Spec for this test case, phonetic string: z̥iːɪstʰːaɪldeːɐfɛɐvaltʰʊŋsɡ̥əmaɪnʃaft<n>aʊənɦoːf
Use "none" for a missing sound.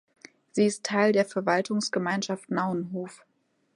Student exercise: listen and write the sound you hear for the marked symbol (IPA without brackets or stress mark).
n